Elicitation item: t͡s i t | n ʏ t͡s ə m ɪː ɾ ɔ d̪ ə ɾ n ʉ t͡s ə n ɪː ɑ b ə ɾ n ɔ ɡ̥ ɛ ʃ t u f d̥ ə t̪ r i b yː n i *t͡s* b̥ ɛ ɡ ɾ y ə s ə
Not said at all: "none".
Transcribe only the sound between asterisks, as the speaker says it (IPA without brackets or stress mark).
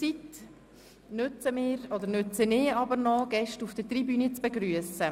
t͡s